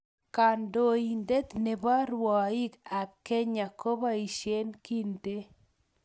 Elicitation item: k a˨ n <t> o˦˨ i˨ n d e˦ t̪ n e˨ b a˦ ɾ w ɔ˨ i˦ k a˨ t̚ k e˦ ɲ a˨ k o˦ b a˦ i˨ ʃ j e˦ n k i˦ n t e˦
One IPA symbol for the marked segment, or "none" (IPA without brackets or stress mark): d